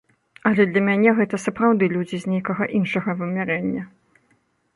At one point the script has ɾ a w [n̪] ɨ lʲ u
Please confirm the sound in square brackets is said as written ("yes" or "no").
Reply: no